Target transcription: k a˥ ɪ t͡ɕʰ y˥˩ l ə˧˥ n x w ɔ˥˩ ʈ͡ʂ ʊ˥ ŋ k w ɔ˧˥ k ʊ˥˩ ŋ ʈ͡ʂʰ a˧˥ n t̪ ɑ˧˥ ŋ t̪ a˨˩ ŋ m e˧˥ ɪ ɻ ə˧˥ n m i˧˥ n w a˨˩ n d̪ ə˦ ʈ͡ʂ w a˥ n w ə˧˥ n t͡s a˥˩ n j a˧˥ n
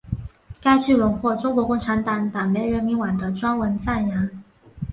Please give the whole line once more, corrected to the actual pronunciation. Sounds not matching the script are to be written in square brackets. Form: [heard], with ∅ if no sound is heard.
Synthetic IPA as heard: k a˥ ɪ [t͡ɕ] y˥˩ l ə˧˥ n x w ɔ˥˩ ʈ͡ʂ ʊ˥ ŋ k w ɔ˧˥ k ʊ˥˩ ŋ ʈ͡ʂʰ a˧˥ n t̪ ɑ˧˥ ŋ t̪ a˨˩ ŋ m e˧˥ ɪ ɻ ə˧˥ n m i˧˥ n w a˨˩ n d̪ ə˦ ʈ͡ʂ w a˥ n w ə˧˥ n t͡s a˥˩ n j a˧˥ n